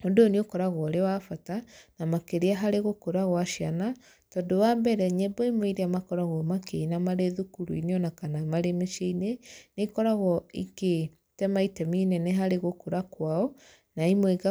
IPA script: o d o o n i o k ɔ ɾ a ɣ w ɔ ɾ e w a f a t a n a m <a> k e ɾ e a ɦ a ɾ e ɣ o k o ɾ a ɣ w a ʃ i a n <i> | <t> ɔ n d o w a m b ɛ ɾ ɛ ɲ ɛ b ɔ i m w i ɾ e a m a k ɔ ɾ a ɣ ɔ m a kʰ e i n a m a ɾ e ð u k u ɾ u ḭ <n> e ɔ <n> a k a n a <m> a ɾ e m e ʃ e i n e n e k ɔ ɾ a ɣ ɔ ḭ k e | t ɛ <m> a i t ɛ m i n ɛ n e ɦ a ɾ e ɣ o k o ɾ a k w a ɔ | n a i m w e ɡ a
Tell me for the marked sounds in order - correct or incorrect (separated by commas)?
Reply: correct, incorrect, correct, correct, correct, correct, correct